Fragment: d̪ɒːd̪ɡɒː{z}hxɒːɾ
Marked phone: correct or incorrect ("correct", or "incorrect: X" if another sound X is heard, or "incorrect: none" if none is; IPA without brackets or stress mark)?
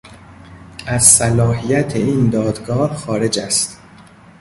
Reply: incorrect: none